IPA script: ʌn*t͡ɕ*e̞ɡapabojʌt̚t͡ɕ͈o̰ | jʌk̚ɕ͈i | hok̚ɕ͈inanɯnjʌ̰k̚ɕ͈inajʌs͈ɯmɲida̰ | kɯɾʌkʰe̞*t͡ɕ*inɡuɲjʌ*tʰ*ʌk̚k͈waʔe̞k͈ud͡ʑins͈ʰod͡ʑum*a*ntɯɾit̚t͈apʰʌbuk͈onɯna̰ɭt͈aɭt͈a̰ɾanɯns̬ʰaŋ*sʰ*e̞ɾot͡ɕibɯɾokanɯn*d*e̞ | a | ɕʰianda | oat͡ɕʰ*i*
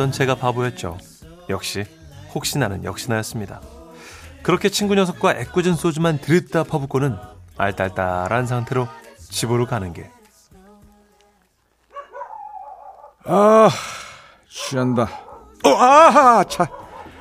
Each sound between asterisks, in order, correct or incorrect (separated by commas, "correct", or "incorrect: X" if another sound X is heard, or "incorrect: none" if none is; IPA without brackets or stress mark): correct, incorrect: t͡ɕʰ, incorrect: sʰ, correct, incorrect: tʰ, incorrect: ɡ, incorrect: a